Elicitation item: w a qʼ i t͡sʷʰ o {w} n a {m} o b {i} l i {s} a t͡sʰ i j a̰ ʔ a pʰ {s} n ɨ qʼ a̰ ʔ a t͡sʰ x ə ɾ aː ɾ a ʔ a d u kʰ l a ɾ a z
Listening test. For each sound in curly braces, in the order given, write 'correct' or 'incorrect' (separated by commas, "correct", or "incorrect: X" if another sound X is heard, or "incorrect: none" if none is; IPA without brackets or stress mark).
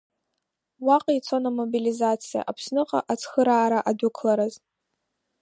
incorrect: none, correct, correct, incorrect: z, correct